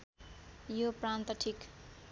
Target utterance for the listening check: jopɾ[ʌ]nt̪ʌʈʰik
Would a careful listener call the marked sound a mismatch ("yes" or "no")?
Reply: yes